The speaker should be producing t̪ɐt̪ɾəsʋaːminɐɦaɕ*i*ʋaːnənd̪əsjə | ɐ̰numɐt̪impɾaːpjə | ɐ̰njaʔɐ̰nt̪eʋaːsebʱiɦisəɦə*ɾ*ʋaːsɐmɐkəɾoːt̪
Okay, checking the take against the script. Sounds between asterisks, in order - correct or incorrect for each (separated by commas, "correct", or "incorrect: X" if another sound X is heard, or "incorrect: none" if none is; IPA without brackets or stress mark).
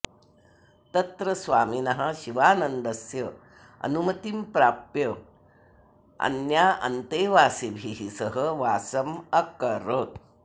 correct, incorrect: none